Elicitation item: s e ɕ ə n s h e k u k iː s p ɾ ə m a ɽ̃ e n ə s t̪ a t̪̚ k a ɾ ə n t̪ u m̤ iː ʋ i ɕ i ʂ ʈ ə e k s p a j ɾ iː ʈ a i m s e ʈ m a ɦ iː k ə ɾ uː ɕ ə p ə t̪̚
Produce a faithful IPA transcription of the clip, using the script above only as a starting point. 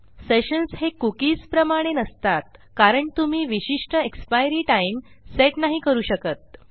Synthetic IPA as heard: s e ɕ ə n s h e k u k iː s p ɾ ə m a ɽ̃ e n ə s t̪ a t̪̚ k a ɾ ə ɳ t̪ u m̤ iː ʋ i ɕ i ʂ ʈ ə e k s p a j ɾ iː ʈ a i m s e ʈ n a ɦ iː k ə ɾ uː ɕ ə k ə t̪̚